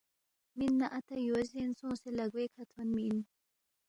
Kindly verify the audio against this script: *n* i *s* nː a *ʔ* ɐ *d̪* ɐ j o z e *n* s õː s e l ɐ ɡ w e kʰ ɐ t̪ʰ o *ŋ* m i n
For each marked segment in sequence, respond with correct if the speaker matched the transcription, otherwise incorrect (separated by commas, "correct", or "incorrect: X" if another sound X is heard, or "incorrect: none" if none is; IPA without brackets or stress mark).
incorrect: m, incorrect: none, correct, incorrect: t̪, correct, incorrect: n